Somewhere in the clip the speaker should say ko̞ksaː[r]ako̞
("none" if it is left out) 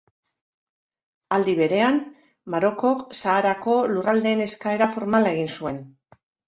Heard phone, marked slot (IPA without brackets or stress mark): ɾ